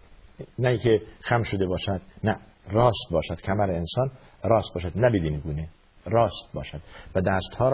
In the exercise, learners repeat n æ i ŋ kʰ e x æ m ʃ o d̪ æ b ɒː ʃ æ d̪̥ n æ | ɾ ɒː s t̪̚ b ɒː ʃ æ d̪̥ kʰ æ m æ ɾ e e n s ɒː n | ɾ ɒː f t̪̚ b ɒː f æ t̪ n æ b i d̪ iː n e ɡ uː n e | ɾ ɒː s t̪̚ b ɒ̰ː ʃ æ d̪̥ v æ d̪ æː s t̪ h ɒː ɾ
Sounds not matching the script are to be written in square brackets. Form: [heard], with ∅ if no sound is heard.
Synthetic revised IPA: n æ i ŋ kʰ e x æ m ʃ o d̪ [e] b ɒː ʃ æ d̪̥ n æ | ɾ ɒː s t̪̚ b ɒː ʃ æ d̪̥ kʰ æ m æ ɾ e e n s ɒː n | ɾ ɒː [s] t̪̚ b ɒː [ʃ] æ [d̪] n æ b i d̪ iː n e ɡ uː n e | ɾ ɒː s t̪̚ b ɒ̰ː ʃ æ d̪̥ v æ d̪ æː s t̪ h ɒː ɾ